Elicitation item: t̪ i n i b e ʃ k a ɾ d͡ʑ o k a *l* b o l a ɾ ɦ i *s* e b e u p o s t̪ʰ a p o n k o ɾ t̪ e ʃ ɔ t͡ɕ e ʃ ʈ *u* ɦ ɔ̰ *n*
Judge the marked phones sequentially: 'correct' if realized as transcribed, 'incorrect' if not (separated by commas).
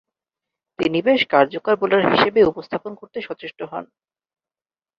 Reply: incorrect, incorrect, incorrect, correct